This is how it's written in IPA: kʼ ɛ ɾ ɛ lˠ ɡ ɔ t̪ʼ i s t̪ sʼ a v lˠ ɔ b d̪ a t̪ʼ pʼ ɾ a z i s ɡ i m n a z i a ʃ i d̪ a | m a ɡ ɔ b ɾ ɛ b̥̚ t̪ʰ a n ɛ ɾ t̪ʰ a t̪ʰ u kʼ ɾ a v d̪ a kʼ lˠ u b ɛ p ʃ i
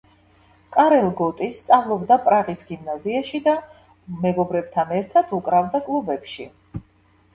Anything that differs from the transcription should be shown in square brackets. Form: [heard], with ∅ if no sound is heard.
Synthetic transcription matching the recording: kʼ [a] ɾ ɛ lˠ ɡ ɔ t̪ʼ i s t̪ sʼ a v lˠ ɔ b d̪ a [∅] pʼ ɾ a [ʁ] i s ɡ i m n a z i a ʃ i d̪ a | m [ɛ] ɡ ɔ b ɾ ɛ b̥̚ t̪ʰ a n ɛ ɾ t̪ʰ a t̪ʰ u kʼ ɾ a v d̪ a kʼ lˠ u b ɛ p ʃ i